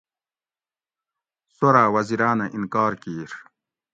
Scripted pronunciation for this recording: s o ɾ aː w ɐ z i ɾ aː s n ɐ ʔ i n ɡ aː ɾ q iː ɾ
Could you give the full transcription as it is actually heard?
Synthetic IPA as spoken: s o ɾ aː w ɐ z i ɾ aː n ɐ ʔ i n k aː ɾ k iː ɾ